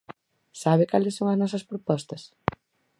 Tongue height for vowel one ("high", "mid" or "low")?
low